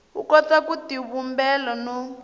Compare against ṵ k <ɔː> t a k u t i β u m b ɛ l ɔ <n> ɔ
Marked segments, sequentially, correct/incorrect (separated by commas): incorrect, correct